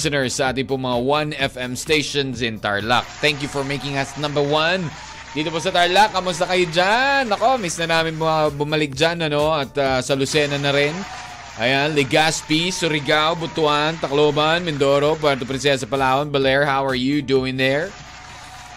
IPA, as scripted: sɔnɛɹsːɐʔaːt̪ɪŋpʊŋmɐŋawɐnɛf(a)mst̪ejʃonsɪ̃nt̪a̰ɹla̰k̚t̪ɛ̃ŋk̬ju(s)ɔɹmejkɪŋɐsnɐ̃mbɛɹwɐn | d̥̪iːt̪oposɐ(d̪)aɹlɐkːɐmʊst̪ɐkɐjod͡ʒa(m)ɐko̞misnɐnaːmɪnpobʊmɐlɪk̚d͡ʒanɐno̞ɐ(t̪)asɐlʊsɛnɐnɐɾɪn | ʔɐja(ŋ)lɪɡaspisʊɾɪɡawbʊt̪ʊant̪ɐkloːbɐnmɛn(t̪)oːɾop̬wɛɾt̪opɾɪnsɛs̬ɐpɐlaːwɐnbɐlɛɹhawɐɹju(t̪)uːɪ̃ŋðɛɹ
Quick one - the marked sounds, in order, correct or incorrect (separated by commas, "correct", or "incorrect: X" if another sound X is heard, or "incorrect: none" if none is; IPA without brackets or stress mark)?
incorrect: ɛ, incorrect: f, incorrect: t̪, incorrect: n, correct, incorrect: n, incorrect: d̪, incorrect: d̪